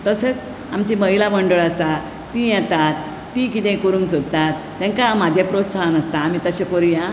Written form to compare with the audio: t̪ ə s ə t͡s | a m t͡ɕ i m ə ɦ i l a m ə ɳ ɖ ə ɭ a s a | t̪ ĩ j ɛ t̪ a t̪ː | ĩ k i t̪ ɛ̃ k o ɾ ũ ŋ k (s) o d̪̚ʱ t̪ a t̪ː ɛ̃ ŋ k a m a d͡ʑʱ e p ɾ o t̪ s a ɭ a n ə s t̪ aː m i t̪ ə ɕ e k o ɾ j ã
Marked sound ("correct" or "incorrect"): correct